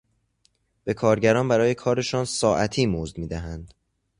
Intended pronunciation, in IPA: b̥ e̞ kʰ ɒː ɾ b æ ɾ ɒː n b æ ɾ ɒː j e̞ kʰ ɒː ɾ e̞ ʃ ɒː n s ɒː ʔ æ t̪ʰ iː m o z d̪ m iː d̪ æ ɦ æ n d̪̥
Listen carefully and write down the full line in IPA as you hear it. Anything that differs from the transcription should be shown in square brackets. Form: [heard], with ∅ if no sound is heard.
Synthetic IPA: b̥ e̞ kʰ ɒː ɾ [ɟ] æ ɾ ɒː n b æ ɾ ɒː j e̞ kʰ ɒː ɾ e̞ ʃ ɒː n s ɒː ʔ æ t̪ʰ iː m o z d̪ m iː d̪ æ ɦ æ n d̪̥